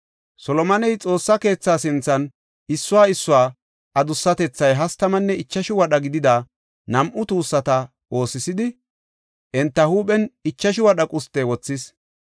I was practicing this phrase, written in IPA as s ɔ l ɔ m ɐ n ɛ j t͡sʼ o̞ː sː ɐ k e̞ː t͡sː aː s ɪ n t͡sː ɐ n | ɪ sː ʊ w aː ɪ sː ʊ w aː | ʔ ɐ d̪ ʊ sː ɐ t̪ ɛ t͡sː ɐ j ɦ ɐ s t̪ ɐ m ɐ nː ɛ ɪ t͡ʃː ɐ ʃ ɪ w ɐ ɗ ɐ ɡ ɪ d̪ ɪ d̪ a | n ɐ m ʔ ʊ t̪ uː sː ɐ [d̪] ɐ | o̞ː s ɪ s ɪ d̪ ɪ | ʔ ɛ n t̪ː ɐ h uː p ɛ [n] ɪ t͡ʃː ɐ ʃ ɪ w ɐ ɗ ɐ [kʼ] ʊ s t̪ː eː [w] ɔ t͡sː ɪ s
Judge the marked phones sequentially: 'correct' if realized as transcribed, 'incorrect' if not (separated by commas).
incorrect, correct, correct, correct